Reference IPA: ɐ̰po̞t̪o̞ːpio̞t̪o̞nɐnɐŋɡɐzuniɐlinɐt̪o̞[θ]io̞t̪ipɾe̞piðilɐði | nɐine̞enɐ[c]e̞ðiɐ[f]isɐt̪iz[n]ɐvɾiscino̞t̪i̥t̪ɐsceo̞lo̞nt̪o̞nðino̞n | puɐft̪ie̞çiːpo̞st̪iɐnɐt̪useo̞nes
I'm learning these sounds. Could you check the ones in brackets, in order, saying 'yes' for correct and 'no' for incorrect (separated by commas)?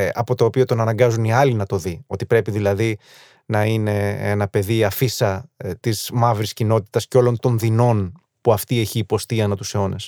no, no, yes, no